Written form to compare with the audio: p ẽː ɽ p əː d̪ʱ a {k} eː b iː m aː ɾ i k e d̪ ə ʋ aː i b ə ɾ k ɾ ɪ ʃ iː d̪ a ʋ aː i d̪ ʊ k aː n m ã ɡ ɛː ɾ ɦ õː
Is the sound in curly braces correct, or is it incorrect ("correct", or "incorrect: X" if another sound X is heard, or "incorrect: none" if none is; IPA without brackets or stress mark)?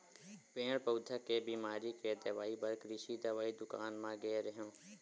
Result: correct